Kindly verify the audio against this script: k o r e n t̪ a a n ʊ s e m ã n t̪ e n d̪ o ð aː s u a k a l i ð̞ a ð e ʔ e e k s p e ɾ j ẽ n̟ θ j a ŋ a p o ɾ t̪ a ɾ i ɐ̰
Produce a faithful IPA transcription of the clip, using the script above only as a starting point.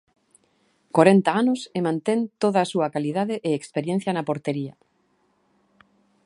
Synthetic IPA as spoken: k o ɾ e n t̪ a a n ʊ s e m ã n t̪ e n t̪ o ð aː s u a k a l i ð̞ a ð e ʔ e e k s p e ɾ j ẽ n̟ θ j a n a p o ɾ t̪ e ɾ i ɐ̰